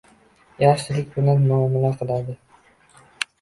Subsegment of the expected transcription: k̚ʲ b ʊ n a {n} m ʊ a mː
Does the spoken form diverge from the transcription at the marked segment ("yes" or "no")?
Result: no